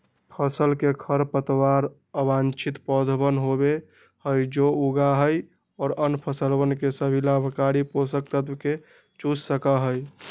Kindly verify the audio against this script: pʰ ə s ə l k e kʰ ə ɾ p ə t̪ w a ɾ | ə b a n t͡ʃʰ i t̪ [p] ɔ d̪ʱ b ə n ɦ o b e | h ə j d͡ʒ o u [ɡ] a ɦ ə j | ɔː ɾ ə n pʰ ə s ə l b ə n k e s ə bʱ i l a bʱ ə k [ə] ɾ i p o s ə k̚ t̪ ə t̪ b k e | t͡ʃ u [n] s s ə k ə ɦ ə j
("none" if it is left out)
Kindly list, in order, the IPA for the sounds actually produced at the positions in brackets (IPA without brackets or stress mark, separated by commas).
p, ɡ, a, none